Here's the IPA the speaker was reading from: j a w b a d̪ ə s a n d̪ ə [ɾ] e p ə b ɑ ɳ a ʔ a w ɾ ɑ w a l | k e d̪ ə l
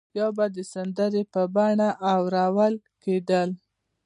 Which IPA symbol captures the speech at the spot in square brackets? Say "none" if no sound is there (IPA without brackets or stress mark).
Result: ɾ